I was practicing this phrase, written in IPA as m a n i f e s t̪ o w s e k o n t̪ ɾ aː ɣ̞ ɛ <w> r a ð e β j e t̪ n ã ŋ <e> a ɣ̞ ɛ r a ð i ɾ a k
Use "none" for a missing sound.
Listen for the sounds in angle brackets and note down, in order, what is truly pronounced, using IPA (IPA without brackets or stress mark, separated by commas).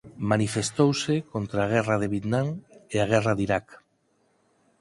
none, e